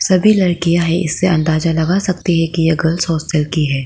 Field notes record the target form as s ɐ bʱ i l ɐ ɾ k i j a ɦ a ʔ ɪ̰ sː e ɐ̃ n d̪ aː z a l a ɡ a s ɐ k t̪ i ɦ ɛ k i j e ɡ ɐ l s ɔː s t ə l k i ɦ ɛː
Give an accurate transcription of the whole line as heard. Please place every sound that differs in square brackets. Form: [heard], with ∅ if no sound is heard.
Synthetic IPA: s ɐ bʱ i l ɐ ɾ k i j a ɦ [ɛ] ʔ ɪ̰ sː e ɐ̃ n d̪ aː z a l [ɐ] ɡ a s ɐ k t̪ i ɦ ɛ k i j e ɡ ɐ l s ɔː s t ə l k i ɦ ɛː